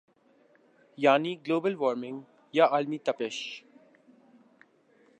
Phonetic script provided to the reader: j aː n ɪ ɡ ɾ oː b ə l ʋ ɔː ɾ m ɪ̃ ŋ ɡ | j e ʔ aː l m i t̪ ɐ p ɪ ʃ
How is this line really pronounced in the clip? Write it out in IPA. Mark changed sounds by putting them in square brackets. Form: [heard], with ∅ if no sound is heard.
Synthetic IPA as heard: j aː n [i] ɡ [l] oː b ə l ʋ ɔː ɾ m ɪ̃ ŋ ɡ | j [a] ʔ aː l m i t̪ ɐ p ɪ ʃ

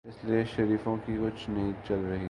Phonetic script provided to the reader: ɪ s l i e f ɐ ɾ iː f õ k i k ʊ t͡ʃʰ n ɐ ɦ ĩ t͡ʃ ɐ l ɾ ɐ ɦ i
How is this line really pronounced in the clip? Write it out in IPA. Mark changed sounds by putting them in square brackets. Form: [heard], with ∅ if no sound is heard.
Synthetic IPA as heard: ɪ s l i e [ʃ] ɐ ɾ iː f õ k i k ʊ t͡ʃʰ n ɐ ɦ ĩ t͡ʃ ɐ l ɾ ɐ ɦ i

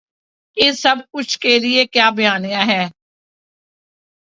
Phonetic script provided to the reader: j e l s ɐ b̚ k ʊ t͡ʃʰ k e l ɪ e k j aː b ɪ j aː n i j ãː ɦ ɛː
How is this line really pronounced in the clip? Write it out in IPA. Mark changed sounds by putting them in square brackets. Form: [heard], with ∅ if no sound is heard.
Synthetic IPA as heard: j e [∅] s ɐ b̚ k ʊ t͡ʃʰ k e l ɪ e k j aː b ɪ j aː n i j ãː ɦ ɛː

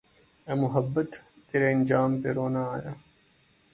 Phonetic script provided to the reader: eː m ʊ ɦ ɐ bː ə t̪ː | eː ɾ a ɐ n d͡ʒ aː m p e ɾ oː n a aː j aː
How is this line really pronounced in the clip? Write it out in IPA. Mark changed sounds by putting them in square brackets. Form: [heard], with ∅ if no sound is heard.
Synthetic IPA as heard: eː m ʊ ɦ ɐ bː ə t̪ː | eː ɾ [e] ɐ n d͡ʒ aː m p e ɾ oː n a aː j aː

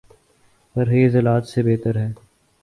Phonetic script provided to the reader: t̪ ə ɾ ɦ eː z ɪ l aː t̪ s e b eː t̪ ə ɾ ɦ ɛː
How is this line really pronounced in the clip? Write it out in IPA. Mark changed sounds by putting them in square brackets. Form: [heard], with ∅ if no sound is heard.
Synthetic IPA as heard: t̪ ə ɾ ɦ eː z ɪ l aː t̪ s e b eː t̪ ə ɾ ɦ ɛː

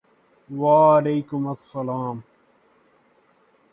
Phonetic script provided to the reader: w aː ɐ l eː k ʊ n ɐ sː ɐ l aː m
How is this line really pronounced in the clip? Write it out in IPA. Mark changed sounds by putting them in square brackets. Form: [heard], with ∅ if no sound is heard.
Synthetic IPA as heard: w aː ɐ l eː k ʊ [m] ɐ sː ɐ l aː m

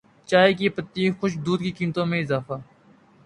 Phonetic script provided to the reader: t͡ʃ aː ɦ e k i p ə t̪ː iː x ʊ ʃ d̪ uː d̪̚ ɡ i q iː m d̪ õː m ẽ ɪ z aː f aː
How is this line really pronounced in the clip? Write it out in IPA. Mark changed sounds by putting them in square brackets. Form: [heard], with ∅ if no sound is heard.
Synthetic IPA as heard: t͡ʃ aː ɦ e k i p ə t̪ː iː x ʊ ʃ d̪ uː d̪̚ [k] i [k] iː m [t̪] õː m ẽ ɪ z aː f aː

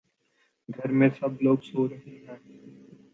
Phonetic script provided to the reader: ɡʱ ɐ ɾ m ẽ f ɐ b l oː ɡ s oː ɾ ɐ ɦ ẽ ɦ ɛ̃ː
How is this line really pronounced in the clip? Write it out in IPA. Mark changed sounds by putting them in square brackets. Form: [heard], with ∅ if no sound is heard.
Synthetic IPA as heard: ɡʱ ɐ ɾ m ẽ [s] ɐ b l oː ɡ s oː ɾ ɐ ɦ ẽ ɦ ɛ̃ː

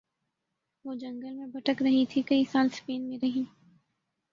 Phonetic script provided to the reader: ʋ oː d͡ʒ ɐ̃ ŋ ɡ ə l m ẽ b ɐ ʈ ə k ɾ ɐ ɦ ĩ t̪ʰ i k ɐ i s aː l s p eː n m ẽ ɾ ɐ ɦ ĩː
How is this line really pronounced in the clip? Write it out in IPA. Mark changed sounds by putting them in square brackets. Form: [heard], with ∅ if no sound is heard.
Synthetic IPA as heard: ʋ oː d͡ʒ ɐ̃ ŋ ɡ ə l m ẽ b ɐ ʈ ə k ɾ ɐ ɦ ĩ t̪ʰ i k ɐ i s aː l s p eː n m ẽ ɾ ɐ ɦ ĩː

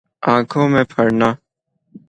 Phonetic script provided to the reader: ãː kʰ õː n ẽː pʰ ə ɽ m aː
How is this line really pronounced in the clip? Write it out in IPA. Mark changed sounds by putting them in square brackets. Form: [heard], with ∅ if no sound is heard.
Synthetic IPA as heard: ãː kʰ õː [m] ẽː pʰ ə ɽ [n] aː

